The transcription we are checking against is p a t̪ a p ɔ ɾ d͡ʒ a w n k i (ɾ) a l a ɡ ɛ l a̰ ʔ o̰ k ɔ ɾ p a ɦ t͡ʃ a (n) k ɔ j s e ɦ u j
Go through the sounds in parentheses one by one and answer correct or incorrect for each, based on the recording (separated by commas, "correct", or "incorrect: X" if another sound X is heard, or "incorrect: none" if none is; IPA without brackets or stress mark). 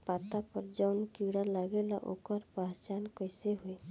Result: incorrect: ɽ, correct